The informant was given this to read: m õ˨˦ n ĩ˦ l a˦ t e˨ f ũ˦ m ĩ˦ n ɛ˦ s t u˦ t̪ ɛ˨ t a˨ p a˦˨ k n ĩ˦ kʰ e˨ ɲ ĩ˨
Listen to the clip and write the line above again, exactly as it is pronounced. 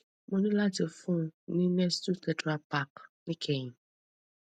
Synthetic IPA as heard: m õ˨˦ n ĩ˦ l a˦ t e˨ f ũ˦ n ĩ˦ n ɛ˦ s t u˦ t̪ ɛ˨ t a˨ p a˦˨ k n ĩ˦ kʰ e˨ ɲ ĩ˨